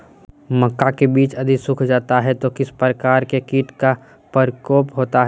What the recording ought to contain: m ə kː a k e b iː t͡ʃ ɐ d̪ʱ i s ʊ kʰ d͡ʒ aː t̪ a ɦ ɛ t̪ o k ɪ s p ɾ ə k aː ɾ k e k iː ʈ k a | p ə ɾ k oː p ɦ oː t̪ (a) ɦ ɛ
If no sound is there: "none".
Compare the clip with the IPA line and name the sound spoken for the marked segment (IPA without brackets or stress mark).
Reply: a